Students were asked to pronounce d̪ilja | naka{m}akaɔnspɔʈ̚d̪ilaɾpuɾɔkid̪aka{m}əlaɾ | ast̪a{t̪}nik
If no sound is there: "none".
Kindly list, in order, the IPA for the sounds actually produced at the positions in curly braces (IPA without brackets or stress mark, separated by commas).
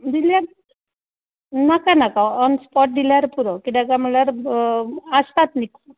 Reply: n, m, t̪